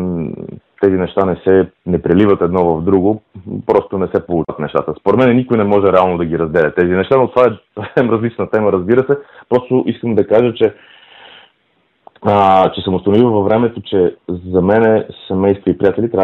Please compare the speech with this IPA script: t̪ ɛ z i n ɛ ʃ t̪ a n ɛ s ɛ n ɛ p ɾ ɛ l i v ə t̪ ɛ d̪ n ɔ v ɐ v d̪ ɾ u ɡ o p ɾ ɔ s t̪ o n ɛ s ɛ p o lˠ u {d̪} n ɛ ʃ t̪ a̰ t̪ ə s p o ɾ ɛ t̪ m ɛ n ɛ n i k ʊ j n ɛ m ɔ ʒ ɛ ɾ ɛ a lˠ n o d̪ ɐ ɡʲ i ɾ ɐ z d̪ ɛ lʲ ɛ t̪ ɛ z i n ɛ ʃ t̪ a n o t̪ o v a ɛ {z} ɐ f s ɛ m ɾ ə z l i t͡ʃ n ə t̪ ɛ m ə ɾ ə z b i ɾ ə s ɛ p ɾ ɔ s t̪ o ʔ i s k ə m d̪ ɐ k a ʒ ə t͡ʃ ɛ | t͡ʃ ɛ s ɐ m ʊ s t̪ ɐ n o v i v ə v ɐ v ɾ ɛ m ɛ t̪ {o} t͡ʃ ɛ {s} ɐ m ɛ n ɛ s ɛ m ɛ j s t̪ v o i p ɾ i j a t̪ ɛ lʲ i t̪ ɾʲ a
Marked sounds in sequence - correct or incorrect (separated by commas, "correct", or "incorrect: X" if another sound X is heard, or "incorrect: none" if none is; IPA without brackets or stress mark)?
incorrect: t̪, incorrect: s, correct, incorrect: z